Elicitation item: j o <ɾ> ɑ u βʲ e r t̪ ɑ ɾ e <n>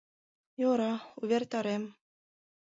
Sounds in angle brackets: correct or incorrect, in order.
correct, incorrect

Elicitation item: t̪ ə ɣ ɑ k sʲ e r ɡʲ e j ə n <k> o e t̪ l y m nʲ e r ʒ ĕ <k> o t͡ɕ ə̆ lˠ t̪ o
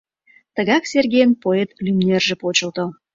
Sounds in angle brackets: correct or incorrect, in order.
incorrect, incorrect

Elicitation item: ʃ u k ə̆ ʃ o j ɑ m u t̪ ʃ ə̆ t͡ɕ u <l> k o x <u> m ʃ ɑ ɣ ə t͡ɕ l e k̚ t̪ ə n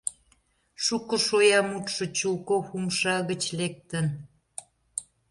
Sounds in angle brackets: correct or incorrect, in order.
correct, correct

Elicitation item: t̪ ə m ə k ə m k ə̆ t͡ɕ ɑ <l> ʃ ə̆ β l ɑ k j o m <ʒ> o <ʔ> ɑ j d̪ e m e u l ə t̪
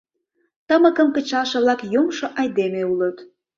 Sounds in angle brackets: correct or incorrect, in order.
correct, incorrect, correct

